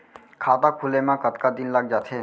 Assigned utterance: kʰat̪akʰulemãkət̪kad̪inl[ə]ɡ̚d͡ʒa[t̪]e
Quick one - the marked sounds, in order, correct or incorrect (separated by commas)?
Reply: incorrect, incorrect